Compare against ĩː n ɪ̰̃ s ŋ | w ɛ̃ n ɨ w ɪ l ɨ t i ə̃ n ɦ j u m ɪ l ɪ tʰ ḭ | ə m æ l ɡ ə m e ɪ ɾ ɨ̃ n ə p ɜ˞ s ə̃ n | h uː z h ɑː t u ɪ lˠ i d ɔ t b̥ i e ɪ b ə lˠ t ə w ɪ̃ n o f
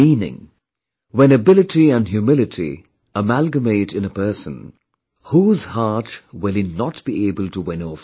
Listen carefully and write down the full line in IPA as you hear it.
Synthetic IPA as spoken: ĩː n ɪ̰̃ ŋ | w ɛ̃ n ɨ b ɪ l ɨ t i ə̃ n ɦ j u m ɪ l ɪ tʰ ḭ | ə m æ l ɡ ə m e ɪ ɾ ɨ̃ n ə p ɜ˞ s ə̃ n | h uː z h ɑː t w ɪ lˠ i n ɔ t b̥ i e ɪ b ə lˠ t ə w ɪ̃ n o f